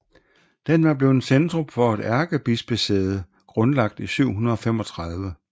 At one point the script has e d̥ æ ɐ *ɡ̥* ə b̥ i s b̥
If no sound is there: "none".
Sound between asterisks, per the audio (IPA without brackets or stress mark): ɡ̥